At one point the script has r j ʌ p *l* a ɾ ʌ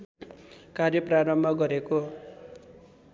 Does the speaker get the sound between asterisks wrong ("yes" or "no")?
yes